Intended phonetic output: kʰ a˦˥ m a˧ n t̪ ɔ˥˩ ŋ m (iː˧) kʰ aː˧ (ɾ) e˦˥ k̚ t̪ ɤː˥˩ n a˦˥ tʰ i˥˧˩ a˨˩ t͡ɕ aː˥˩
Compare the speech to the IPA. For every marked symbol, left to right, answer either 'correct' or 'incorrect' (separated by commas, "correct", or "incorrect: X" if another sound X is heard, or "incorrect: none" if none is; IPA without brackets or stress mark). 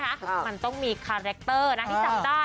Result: correct, correct